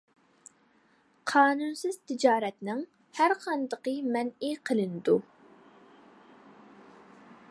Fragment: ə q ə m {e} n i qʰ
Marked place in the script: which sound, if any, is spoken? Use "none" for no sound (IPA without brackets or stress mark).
ɛ